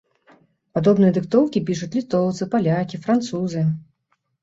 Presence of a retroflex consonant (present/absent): present